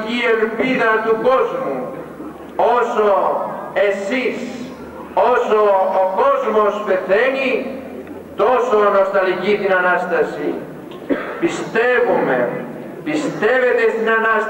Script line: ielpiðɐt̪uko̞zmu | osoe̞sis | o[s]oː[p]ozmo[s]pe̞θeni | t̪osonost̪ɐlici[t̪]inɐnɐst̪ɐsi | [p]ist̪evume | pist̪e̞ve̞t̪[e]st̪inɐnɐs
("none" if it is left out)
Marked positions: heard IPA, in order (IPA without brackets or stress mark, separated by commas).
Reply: s, k, s, t̪, p, e